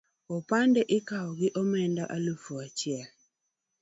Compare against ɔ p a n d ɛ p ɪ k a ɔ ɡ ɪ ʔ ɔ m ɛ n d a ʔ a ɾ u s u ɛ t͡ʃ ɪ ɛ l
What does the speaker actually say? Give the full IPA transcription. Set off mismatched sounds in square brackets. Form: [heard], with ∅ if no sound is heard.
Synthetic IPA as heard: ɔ p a n d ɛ [ʔ] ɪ k a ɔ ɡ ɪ ʔ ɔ m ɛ n d a ʔ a [l] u [f] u [a] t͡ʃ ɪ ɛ l